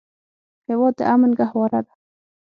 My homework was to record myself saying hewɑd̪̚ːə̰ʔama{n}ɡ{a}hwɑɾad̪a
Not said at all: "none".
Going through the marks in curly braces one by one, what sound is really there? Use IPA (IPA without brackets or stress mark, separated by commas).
n, a